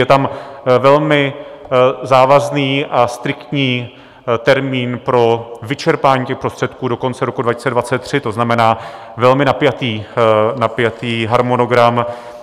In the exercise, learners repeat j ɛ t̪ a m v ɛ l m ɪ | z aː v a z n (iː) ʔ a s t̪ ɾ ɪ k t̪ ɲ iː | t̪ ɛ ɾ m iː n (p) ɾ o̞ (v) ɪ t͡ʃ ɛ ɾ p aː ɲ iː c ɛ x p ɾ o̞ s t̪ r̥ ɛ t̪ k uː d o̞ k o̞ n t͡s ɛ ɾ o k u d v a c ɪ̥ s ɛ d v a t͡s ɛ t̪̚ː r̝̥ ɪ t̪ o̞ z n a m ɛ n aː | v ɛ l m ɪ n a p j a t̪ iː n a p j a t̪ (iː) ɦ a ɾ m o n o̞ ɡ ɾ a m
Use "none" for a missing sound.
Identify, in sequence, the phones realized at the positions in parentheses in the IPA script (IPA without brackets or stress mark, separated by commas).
iː, p, v, iː